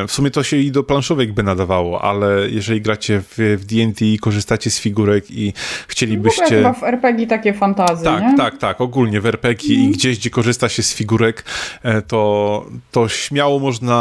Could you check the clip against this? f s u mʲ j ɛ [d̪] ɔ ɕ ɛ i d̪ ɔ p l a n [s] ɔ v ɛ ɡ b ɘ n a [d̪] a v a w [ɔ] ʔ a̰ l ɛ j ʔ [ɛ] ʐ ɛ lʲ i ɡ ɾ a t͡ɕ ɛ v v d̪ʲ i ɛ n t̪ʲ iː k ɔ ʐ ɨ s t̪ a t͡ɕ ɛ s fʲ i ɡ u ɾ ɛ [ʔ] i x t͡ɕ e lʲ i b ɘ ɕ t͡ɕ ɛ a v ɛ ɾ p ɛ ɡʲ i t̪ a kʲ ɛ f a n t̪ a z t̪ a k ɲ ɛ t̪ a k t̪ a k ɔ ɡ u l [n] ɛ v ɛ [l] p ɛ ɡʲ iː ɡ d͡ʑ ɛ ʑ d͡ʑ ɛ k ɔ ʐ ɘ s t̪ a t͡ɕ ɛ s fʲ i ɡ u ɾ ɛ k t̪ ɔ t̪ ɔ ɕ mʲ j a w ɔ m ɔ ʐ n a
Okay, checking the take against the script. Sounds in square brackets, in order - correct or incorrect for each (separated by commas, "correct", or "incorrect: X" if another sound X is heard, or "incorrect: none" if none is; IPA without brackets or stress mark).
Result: incorrect: t̪, incorrect: ʂ, correct, correct, correct, incorrect: k, incorrect: ɲ, incorrect: ɾ